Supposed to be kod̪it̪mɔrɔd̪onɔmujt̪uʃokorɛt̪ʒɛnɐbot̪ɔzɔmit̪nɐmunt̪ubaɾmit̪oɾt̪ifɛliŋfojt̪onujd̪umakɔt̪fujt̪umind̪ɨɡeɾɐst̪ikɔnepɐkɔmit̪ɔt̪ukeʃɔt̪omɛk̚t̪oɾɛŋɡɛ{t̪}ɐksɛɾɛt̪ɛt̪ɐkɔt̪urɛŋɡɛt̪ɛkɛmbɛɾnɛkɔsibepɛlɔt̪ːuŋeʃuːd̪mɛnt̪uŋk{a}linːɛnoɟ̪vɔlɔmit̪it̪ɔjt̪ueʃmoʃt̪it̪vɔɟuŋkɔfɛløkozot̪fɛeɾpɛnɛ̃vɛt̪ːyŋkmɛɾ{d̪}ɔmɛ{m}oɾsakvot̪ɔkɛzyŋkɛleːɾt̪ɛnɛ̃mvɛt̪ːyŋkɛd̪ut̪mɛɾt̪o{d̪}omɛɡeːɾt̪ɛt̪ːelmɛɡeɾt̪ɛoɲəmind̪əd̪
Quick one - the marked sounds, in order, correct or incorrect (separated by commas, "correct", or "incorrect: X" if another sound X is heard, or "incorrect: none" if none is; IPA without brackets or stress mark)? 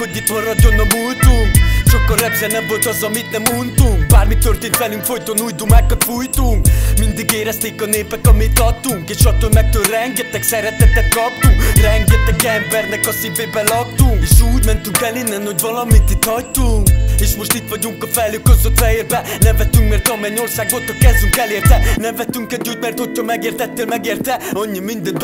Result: correct, incorrect: ɛ, incorrect: t̪, incorrect: ɲ, incorrect: t̪